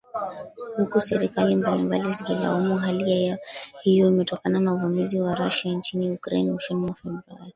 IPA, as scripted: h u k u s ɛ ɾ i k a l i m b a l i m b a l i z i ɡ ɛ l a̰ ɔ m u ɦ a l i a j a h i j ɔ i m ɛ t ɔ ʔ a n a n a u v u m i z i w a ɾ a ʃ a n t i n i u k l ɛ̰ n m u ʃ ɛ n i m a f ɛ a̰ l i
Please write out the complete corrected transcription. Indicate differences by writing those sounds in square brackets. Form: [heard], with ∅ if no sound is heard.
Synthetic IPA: h u k u s ɛ ɾ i k a l i m b a l i m b a l i z i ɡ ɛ l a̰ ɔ m u ɦ a l i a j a h i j ɔ i m ɛ t ɔ [k] a n a n a u v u m i z i w a ɾ a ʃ a n [t͡ʃ] i n i u k [ɾ] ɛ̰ n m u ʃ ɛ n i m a f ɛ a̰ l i